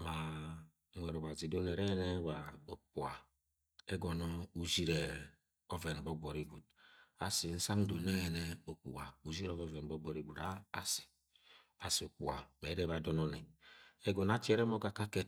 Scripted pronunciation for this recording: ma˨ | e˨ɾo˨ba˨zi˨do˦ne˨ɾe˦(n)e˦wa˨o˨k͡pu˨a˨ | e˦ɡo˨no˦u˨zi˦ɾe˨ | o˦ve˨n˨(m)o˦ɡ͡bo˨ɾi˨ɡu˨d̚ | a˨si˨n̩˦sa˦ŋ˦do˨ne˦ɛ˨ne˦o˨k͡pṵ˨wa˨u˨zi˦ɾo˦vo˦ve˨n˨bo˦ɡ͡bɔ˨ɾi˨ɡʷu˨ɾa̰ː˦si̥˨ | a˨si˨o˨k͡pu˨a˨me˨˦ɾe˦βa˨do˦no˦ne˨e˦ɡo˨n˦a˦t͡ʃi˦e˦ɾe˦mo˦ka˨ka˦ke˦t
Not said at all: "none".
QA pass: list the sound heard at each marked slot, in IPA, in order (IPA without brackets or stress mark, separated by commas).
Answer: n, b